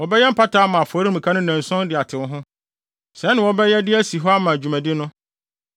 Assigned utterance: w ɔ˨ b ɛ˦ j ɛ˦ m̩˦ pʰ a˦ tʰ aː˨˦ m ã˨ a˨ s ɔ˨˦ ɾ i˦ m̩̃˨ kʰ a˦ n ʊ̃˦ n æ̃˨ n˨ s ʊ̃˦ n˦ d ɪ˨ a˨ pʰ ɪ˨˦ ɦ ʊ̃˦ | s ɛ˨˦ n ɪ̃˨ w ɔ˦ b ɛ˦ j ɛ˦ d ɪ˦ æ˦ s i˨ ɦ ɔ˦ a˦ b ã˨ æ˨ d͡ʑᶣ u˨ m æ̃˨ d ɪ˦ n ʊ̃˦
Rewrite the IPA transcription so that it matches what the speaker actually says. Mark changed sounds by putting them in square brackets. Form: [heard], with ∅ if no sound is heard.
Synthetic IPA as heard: w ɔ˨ b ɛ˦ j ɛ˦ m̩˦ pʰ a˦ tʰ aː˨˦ m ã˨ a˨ [f] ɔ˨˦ ɾ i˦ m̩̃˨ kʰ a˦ n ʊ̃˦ n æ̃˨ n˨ s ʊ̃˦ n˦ d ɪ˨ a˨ [tʰ] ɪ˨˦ ɦ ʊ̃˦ | s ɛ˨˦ n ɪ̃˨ w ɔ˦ b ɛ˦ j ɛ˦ d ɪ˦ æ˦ s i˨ ɦ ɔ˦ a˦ [m] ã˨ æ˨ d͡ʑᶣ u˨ m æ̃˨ d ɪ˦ n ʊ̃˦